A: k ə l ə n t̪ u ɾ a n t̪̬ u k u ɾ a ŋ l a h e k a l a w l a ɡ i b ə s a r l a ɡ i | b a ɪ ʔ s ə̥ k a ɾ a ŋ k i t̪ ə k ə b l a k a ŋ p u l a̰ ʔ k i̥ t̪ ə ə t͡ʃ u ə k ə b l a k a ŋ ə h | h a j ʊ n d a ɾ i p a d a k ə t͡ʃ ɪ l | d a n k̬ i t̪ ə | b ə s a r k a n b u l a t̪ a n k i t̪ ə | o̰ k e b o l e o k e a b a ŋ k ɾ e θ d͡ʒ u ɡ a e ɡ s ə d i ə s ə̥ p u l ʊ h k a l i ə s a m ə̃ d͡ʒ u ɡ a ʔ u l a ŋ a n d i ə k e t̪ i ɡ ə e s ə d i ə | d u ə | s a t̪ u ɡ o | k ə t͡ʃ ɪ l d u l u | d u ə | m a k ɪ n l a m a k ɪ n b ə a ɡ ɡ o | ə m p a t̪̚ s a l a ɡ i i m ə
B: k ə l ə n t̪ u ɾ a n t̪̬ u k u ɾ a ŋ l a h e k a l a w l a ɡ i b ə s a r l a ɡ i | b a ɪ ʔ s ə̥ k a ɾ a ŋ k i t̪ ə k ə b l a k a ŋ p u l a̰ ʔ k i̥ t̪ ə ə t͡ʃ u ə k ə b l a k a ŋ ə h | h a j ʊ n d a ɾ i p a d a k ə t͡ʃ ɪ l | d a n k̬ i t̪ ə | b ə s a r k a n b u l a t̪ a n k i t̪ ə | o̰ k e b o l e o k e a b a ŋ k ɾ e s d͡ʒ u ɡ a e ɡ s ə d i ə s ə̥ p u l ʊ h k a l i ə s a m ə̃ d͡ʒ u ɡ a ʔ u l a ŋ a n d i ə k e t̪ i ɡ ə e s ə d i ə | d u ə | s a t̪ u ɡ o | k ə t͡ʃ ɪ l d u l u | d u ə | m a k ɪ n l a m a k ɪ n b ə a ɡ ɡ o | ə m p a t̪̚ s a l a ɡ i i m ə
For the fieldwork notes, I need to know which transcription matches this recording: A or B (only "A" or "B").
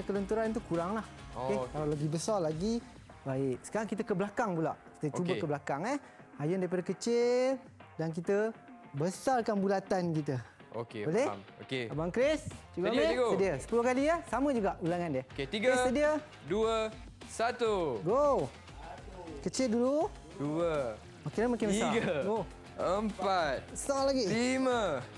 B